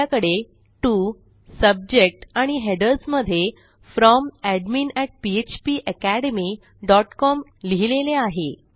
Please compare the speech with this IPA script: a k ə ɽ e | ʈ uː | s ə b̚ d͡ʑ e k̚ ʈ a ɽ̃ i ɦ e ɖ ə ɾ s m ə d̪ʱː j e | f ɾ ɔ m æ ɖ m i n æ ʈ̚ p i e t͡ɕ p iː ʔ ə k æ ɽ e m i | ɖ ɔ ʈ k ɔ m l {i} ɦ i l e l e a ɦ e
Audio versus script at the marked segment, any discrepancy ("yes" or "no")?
no